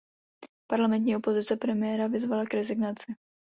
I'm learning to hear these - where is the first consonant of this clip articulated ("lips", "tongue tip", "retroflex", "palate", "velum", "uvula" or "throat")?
lips